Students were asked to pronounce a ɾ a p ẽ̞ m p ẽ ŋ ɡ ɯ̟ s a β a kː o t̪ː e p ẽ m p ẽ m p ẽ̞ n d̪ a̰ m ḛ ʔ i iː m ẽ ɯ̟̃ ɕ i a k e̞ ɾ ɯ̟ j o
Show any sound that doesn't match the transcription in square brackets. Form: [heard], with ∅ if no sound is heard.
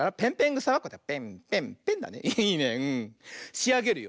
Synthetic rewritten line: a ɾ a p ẽ̞ m p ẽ ŋ ɡ ɯ̟ s a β a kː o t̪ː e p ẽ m p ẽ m p ẽ̞ n d̪ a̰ [n] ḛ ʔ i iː [n] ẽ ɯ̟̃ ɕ i a [ɡ] e̞ ɾ ɯ̟ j o

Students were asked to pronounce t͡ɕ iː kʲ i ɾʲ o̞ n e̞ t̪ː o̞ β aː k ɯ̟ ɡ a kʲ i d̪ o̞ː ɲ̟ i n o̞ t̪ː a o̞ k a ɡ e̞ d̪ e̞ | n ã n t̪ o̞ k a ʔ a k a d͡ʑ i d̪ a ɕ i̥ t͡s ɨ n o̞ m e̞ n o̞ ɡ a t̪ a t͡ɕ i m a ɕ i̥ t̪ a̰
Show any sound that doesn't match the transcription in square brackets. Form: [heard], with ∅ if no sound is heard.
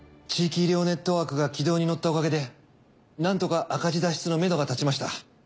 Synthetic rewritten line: t͡ɕ iː kʲ i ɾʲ o̞ n e̞ t̪ː o̞ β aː k ɯ̟ ɡ a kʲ i d̪ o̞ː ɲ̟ i n o̞ t̪ː a o̞ k a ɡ e̞ d̪ e̞ | n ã n t̪ o̞ k a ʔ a k a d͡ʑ i d̪ a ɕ i̥ t͡s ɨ n o̞ m e̞ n o̞ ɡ a t̪ a t͡ɕ i m a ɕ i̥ t̪ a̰

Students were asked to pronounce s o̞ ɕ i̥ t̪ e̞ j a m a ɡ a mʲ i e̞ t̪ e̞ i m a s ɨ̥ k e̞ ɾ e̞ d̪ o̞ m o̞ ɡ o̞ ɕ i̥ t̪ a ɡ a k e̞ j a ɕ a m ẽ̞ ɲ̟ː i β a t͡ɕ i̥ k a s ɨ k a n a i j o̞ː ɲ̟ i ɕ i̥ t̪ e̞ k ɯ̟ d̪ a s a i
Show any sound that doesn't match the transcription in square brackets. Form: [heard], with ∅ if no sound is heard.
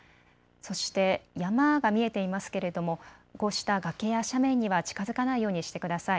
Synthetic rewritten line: s o̞ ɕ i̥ t̪ e̞ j a m a ɡ a mʲ i e̞ t̪ e̞ i m a s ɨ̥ k e̞ ɾ e̞ d̪ o̞ m o̞ ɡ o̞ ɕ i̥ t̪ a ɡ a k e̞ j a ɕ a m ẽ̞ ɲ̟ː i β a t͡ɕ i̥ k a [z] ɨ k a n a i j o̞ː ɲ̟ i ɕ i̥ t̪ e̞ k ɯ̟ d̪ a s a i

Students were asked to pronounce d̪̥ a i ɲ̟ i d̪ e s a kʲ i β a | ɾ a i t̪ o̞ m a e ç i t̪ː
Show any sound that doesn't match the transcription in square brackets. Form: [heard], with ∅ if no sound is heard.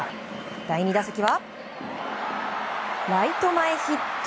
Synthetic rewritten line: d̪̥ a i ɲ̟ i d̪ [a] s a kʲ i β a | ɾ a i t̪ o̞ m a e ç i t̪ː

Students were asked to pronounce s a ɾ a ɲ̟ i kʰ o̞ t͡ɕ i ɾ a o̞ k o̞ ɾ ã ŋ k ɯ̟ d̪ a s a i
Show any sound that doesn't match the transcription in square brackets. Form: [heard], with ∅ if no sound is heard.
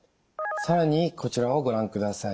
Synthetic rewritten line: s a ɾ a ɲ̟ i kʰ o̞ t͡ɕ i ɾ a o̞ [ɡ] o̞ ɾ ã ŋ k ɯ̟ d̪ a s a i

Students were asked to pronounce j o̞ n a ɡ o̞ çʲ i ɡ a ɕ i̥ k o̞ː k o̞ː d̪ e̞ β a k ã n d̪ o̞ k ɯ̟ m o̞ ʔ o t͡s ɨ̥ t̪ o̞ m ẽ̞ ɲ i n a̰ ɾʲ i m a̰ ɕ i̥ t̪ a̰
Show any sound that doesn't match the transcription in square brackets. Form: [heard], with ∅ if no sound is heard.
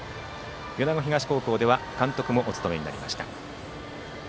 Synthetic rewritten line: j o̞ n a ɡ o̞ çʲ i ɡ a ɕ i̥ k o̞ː k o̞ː d̪ e̞ β a k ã n [t̪] o̞ k ɯ̟ m o̞ ʔ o t͡s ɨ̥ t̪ o̞ m [e̞] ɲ i n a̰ ɾʲ i m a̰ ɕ i̥ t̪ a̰

